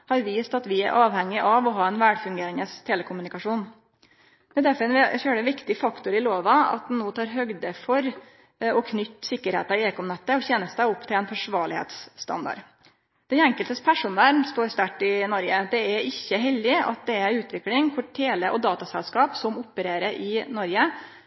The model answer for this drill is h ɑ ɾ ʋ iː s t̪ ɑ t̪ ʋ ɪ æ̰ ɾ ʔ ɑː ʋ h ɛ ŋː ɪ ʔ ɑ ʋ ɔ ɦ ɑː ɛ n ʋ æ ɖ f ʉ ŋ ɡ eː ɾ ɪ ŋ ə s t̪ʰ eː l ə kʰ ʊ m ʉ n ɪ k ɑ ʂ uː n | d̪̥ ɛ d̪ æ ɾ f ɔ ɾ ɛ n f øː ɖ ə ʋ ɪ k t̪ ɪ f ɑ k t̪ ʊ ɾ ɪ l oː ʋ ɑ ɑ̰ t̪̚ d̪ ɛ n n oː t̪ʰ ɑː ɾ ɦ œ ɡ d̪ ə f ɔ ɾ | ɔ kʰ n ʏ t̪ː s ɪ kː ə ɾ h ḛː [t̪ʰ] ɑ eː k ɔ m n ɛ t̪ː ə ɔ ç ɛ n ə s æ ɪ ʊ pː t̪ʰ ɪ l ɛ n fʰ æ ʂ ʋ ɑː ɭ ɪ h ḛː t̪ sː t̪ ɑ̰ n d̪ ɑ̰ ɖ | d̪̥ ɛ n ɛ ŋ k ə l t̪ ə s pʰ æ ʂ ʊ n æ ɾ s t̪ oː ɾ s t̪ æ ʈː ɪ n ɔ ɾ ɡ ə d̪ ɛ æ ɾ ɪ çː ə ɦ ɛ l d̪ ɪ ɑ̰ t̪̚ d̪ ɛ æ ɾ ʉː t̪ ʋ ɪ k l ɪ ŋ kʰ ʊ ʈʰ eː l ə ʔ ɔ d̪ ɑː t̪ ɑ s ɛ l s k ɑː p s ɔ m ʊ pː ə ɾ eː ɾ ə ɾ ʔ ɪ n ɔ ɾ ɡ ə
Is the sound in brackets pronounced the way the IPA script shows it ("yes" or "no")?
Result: no